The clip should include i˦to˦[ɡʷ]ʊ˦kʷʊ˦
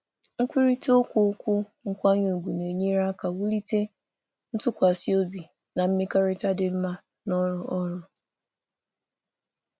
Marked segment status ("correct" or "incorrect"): incorrect